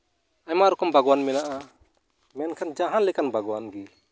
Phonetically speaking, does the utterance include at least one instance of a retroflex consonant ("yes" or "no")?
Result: no